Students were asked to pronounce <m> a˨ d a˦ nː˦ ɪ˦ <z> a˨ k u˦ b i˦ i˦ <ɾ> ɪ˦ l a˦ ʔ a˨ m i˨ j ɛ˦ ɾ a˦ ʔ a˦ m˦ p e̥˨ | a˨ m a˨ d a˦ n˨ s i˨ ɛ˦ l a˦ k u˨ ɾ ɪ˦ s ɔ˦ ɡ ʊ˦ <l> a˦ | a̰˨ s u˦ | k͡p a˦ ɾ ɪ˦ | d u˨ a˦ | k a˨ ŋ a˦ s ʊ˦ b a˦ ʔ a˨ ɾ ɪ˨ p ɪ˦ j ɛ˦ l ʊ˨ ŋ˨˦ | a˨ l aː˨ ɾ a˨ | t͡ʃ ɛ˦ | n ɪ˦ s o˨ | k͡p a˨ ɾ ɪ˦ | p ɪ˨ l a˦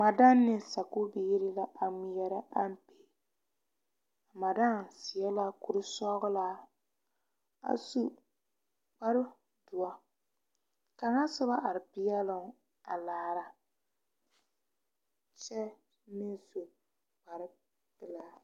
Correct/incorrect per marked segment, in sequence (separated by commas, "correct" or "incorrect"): correct, incorrect, correct, correct